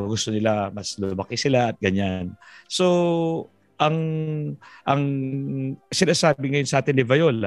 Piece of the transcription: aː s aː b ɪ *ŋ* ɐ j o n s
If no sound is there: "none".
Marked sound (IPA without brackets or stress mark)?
ŋ